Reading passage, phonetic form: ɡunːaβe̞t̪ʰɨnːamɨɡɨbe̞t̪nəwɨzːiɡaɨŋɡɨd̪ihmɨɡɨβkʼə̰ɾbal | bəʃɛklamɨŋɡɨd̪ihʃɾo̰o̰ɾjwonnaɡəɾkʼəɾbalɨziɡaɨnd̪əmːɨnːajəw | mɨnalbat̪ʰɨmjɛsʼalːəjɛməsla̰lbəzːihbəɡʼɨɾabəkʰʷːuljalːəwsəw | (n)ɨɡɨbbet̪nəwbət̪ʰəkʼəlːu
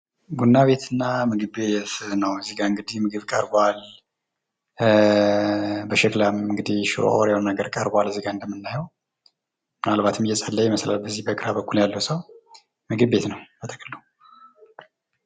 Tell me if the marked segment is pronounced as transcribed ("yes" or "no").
no